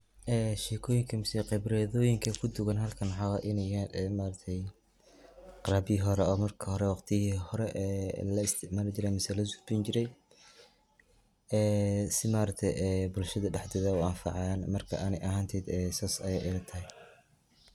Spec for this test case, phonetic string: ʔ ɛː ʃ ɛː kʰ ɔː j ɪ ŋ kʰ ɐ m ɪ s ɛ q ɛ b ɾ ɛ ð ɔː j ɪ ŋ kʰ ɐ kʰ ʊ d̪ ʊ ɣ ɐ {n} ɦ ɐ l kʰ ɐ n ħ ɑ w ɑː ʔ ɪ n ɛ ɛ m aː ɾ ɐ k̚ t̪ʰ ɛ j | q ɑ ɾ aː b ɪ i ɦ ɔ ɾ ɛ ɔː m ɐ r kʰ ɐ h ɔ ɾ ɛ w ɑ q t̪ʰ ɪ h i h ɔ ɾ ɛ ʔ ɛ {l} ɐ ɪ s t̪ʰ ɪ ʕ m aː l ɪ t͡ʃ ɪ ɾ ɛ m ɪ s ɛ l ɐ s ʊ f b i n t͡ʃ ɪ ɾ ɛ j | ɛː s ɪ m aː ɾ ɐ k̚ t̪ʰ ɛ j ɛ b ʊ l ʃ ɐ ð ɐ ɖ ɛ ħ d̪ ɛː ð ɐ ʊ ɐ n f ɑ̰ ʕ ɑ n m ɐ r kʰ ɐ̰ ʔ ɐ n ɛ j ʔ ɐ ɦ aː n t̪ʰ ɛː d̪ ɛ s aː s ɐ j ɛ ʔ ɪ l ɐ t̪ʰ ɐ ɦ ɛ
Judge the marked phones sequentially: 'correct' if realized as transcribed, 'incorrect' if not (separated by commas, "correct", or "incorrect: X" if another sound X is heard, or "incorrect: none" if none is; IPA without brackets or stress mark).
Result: correct, correct